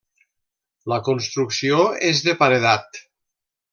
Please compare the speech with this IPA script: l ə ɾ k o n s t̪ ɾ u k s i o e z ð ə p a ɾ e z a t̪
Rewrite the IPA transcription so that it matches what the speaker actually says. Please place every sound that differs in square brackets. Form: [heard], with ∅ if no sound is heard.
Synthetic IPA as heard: l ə [∅] k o n s t̪ ɾ u k s i o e z ð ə p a ɾ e [ð] a t̪